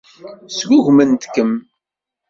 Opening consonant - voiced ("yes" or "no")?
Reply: no